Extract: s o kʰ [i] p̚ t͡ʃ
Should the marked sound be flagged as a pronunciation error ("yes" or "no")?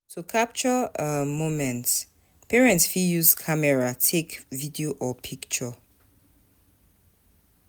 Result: yes